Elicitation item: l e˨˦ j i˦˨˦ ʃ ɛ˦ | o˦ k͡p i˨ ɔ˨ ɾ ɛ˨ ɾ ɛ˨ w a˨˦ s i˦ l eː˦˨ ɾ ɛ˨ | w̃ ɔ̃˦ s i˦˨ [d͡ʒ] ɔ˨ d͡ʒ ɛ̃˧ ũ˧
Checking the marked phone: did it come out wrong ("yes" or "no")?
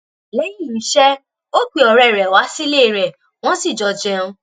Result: no